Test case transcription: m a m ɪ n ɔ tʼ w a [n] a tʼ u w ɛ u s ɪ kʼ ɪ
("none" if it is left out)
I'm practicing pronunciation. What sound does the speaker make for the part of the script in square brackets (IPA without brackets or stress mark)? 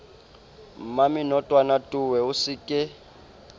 n